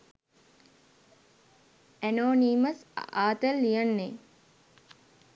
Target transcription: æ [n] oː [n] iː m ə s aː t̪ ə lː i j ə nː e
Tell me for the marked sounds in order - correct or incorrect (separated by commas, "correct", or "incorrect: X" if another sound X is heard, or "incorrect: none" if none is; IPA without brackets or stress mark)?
correct, correct